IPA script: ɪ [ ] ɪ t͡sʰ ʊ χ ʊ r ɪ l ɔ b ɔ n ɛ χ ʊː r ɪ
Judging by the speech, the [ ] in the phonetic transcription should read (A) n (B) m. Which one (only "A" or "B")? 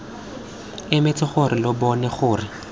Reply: B